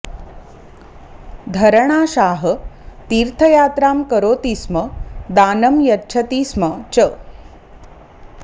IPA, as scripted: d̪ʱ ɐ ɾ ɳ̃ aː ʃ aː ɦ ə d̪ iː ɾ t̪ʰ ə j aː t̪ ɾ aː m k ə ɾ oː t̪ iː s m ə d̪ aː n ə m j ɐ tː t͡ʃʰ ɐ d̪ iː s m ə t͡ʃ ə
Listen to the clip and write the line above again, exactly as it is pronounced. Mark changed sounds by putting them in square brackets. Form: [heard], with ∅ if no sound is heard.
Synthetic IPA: d̪ʱ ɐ ɾ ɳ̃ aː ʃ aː ɦ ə [t̪] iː ɾ t̪ʰ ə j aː t̪ ɾ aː m k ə ɾ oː t̪ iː s m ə d̪ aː n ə m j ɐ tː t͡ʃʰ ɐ [t̪] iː s m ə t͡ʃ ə